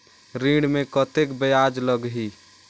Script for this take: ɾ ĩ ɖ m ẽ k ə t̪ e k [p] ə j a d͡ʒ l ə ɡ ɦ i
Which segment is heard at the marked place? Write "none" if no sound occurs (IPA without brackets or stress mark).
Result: b